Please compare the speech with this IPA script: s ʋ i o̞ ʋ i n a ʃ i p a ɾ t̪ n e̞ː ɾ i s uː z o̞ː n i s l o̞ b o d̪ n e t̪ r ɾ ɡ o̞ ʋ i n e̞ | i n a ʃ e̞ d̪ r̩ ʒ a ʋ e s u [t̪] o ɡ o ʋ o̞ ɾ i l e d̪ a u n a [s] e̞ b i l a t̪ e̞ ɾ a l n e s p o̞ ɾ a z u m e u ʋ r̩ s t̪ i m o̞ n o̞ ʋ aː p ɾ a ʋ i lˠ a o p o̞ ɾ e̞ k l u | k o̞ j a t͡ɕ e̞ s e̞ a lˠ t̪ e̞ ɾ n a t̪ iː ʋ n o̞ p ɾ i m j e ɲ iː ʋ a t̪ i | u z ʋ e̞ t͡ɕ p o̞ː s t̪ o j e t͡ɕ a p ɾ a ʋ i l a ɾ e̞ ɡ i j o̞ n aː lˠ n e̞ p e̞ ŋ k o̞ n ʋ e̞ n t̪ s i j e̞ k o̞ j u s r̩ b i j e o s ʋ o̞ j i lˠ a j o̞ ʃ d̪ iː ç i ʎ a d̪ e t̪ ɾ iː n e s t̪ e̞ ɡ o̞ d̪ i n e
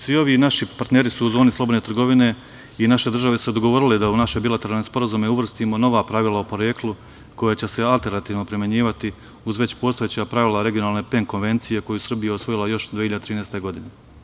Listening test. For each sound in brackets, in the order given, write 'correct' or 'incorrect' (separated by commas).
incorrect, incorrect